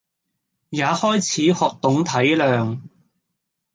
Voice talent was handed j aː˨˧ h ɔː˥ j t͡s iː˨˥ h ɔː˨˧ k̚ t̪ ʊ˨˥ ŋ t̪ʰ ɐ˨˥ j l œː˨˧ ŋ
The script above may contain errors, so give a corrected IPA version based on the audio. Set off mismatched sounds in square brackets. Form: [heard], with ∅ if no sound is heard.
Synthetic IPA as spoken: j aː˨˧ h ɔː˥ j [t͡sʰ] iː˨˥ h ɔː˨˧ k̚ t̪ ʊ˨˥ ŋ t̪ʰ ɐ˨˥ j l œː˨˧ ŋ